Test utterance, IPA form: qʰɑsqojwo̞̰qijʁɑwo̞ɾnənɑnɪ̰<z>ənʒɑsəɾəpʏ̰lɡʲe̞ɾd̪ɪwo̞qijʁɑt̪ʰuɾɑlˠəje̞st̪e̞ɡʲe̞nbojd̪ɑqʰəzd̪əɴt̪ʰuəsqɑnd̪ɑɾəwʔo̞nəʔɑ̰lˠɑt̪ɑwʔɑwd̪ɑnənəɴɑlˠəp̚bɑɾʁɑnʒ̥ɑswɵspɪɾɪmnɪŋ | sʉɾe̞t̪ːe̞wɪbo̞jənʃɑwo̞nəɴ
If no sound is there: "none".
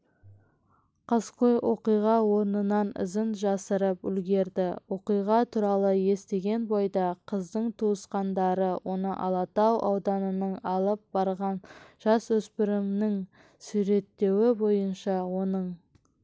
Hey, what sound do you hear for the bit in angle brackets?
z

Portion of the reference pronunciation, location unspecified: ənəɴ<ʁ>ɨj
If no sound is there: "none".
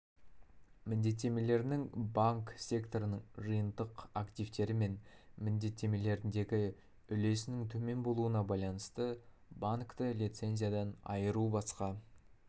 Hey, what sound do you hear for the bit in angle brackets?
ʒ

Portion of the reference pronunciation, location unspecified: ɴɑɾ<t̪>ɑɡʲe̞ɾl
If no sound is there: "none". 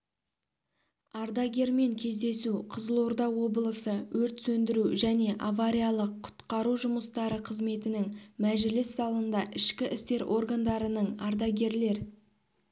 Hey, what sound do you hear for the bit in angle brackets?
d̪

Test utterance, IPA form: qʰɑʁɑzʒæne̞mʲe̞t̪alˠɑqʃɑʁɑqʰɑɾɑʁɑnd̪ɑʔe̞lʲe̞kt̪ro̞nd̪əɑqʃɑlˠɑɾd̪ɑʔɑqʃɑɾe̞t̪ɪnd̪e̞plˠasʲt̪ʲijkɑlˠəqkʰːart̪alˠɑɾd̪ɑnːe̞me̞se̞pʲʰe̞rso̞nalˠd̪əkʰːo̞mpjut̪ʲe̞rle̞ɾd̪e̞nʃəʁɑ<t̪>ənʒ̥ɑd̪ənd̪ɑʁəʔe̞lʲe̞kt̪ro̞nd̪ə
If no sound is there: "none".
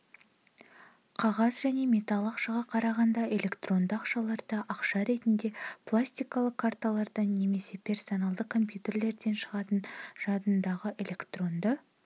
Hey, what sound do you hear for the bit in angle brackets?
t̪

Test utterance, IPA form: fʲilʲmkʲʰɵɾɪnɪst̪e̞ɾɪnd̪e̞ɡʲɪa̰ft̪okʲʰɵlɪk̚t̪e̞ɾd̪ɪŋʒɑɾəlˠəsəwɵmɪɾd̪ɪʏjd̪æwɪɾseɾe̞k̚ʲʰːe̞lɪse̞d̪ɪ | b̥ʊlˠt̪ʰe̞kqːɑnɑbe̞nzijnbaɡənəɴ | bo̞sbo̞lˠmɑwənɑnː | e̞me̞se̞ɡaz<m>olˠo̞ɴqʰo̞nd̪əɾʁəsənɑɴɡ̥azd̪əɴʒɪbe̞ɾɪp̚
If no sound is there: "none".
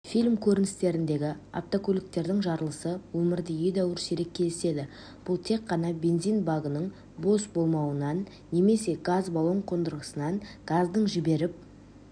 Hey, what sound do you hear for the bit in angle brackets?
b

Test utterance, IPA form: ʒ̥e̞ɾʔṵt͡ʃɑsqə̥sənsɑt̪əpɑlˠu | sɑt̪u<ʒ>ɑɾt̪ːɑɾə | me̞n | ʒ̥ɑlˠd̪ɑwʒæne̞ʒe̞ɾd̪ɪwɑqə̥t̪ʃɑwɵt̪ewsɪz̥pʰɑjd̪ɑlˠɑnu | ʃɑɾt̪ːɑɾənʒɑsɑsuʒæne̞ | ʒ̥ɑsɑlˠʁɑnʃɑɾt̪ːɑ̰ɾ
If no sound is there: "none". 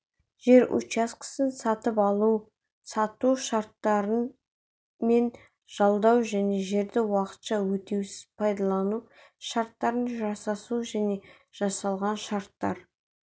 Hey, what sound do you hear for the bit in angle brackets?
ʃ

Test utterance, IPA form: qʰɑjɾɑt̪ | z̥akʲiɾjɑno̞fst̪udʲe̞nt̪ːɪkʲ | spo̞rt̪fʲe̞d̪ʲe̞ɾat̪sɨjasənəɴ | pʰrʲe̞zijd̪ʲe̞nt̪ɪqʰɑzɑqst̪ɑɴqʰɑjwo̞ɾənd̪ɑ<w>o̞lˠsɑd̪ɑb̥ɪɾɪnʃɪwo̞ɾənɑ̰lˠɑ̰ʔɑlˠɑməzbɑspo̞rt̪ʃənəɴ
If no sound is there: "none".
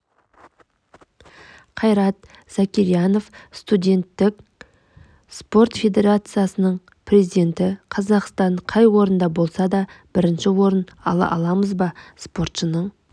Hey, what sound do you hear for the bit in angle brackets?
b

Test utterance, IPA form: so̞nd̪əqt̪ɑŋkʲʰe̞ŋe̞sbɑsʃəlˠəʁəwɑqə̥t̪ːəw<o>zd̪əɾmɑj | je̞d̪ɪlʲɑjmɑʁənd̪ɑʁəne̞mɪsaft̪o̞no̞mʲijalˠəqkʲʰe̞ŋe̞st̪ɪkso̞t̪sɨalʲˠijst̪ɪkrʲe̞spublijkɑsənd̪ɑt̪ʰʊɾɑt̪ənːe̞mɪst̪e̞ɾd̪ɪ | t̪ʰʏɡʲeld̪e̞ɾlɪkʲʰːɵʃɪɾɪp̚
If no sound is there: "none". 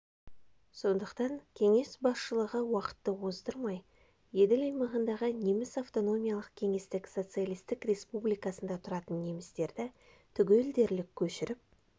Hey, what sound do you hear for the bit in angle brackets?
o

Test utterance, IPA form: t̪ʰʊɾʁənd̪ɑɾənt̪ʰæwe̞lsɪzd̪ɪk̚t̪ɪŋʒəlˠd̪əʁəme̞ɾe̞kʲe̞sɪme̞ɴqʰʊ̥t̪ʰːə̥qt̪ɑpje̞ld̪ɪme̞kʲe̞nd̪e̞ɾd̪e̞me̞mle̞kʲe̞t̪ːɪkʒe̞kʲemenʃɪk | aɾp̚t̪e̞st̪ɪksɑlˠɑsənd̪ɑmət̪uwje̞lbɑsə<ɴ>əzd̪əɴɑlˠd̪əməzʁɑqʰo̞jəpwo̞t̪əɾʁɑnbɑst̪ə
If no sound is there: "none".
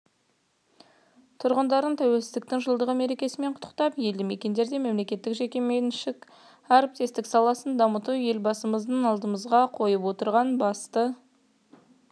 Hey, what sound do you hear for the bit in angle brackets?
m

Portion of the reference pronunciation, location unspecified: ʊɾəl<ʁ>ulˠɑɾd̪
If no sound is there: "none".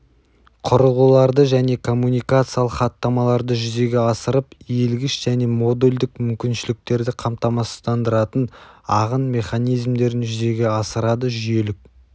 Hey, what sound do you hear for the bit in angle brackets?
ʁ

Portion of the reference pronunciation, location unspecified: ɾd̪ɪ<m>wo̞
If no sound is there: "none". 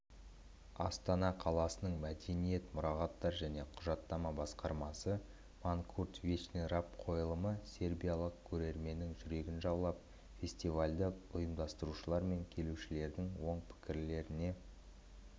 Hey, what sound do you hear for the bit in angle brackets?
ŋ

